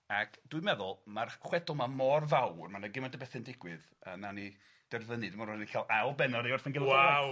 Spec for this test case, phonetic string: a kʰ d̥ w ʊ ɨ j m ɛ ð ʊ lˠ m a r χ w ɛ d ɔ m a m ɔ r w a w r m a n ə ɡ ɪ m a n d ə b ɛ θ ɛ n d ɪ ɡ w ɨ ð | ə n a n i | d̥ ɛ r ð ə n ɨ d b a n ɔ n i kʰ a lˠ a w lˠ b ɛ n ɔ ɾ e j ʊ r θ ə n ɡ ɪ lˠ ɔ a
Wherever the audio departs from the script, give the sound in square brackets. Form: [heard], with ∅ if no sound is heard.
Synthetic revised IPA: a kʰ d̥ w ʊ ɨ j m ɛ ð ʊ lˠ m a r χ w ɛ d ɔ m a m ɔ r [v] a w r m a n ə ɡ ɪ m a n d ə b ɛ θ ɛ n d ɪ ɡ w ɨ ð | ə n a n i | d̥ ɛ r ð ə n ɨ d [m] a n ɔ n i kʰ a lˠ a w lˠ b ɛ n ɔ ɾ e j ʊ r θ ə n ɡ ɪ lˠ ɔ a